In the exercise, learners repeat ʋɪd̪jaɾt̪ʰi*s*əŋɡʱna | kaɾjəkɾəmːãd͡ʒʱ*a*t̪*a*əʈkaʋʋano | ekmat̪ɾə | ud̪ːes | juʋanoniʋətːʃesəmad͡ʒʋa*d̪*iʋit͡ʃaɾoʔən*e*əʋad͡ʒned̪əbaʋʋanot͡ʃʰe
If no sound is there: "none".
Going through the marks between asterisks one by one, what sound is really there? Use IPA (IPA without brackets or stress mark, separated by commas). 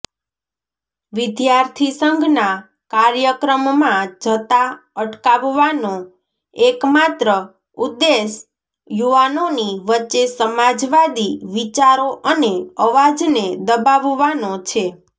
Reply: s, ə, a, d̪, e